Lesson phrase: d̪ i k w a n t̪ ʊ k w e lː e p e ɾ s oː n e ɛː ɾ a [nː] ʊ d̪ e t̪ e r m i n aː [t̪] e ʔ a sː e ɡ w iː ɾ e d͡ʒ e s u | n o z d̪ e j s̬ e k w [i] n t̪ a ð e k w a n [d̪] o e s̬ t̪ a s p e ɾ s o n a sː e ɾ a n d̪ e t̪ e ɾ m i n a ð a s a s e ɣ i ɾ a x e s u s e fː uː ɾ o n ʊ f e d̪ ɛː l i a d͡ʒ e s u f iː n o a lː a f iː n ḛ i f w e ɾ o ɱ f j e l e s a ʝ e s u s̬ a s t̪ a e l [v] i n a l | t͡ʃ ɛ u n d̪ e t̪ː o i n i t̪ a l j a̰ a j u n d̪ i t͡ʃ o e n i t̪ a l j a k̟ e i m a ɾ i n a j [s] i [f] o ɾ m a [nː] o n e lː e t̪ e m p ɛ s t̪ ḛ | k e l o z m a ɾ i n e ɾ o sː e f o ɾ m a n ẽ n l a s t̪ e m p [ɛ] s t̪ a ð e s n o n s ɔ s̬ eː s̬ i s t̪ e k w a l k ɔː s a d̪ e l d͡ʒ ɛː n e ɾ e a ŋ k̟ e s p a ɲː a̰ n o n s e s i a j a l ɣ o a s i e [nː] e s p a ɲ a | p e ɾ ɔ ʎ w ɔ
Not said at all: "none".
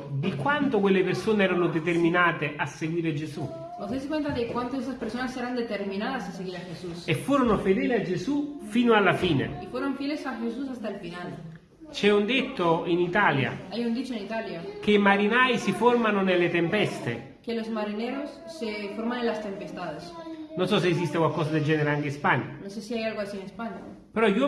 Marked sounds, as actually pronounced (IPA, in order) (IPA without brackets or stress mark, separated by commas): n, t̪, e, t̪, f, s, f, n, e, n